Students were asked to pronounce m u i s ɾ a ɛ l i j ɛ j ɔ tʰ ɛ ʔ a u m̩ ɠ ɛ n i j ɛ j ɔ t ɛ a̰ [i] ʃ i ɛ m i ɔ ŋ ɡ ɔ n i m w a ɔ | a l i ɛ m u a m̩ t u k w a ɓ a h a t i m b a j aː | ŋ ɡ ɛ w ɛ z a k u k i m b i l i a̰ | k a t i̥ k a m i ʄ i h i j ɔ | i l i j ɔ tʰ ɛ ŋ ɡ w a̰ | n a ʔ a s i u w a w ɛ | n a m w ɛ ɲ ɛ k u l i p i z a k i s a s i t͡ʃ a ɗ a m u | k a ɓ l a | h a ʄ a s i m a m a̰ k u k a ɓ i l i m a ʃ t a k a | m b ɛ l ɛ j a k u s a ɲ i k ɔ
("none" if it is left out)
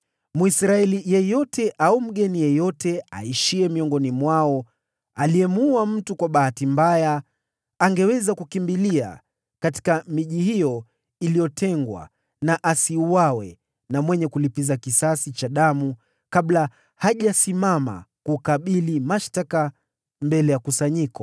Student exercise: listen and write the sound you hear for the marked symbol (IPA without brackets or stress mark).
i